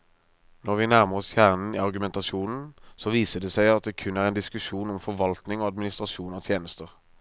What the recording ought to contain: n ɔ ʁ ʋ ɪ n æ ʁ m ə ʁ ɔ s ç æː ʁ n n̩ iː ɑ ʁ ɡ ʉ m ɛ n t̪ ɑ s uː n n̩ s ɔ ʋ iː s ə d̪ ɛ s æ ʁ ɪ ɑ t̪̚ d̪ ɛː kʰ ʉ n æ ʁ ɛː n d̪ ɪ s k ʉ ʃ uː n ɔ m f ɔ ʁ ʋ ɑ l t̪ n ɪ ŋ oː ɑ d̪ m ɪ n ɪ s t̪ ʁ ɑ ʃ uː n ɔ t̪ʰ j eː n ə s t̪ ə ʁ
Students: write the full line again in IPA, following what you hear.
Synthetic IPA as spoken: n ɔ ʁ ʋ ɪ n æ ʁ m ə ʁ ɔ s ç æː ʁ n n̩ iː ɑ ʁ ɡ ʉ m ɛ n t̪ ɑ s uː n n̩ s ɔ ʋ iː s ə d̪ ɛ s æ ɪ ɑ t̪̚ d̪ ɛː kʰ ʉ n æ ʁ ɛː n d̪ ɪ s k ʉ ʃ uː n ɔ m f ɔ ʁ ʋ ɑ l t̪ n ɪ ŋ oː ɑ d̪ m ɪ n ɪ s t̪ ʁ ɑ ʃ uː n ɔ t̪ʰ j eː n ə s t̪ ə ʁ